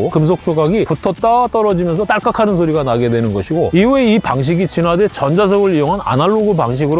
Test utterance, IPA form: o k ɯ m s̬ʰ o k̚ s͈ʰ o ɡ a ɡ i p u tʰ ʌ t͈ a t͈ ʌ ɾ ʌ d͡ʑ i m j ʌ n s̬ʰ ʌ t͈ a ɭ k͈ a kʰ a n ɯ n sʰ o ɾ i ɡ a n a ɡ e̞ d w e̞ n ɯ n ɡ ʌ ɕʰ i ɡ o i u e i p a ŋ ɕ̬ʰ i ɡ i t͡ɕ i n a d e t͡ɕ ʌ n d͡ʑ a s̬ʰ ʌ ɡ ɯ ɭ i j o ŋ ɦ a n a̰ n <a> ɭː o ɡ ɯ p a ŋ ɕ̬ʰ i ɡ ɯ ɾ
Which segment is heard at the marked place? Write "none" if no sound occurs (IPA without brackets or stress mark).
a